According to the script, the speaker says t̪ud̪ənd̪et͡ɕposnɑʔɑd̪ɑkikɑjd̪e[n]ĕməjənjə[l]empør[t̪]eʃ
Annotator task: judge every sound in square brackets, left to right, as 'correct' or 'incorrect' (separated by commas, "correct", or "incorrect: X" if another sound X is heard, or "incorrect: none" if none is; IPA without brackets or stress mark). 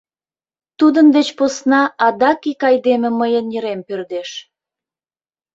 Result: incorrect: m, incorrect: ɾ, incorrect: d̪